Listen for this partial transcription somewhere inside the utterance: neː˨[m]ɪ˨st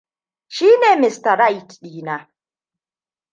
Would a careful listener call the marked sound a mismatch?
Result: no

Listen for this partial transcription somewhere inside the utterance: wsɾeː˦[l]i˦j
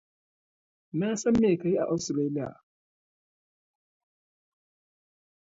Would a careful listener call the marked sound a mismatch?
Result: no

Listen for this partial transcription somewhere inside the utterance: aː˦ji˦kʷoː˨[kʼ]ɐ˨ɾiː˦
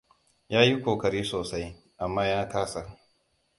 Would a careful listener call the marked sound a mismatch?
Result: yes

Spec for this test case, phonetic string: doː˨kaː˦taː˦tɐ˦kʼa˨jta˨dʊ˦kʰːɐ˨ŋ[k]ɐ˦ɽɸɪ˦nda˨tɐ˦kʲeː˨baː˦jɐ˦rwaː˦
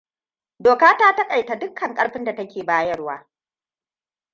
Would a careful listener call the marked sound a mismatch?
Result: yes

